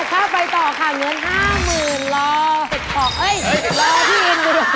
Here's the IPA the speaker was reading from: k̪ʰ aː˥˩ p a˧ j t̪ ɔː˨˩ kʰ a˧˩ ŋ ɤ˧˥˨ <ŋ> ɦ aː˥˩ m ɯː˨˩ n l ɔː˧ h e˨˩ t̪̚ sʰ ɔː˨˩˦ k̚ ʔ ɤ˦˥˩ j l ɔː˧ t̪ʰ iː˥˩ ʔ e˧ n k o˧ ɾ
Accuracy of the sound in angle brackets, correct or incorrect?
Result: incorrect